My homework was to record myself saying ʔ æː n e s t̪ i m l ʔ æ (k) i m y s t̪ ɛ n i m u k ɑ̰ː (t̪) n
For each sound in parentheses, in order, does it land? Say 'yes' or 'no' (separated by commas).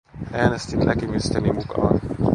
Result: yes, no